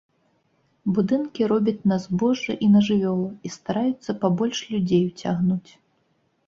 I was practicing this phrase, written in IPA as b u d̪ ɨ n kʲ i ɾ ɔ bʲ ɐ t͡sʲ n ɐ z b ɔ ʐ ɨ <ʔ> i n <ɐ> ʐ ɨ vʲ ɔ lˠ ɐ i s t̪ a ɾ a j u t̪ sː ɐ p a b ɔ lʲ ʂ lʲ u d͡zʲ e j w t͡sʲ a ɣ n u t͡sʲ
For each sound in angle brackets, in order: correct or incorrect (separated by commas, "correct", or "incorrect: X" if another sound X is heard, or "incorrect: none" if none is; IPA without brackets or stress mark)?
correct, correct